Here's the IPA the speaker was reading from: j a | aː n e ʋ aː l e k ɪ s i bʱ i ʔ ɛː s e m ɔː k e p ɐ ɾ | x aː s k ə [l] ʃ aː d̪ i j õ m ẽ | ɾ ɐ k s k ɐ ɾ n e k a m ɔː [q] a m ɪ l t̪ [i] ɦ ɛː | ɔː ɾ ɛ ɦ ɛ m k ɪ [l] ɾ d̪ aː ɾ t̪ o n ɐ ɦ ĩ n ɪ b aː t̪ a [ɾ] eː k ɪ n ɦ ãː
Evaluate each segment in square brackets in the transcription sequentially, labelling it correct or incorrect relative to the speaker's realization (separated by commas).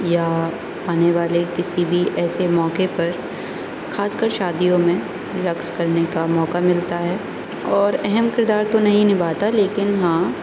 incorrect, incorrect, incorrect, incorrect, incorrect